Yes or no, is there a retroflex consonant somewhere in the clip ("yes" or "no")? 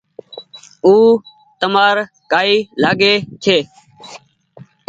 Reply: no